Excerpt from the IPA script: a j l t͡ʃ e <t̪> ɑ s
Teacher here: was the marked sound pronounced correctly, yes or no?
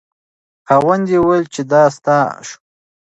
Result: no